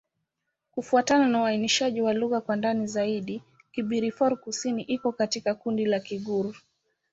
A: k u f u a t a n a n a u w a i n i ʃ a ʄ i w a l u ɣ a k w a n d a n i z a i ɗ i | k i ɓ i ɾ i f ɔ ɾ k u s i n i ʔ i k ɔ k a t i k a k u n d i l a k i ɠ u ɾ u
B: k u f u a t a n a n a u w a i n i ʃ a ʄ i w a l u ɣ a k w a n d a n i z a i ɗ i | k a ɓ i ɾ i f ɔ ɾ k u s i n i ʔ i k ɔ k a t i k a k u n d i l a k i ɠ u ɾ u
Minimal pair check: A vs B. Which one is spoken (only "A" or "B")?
A